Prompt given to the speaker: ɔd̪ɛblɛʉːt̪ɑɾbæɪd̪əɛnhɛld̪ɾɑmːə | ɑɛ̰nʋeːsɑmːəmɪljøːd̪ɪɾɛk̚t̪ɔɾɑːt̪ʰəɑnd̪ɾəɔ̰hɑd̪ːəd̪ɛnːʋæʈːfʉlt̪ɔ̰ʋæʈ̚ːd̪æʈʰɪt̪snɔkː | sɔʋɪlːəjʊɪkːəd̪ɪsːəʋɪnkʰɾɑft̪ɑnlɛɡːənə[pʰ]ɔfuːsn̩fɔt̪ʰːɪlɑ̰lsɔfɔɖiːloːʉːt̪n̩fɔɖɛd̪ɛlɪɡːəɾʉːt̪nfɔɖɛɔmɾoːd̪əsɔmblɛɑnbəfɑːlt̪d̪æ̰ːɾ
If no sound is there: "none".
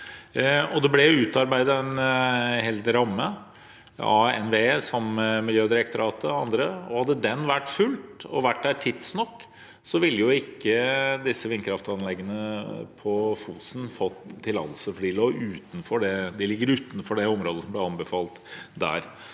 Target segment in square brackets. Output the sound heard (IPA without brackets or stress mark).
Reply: pʰ